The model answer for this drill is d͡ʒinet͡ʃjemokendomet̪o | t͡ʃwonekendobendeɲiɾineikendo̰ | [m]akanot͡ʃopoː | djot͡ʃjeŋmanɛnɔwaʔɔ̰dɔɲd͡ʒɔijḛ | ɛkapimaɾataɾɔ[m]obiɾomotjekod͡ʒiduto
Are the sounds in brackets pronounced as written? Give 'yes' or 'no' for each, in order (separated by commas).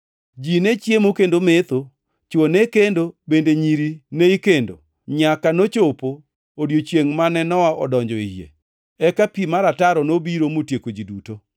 no, no